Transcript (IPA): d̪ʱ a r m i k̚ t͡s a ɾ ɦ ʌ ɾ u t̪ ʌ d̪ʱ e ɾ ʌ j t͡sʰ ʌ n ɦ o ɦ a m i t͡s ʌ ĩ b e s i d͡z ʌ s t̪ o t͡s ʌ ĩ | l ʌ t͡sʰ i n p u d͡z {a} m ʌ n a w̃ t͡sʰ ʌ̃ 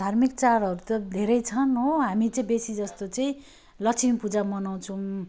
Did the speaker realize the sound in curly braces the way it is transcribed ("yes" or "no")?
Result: yes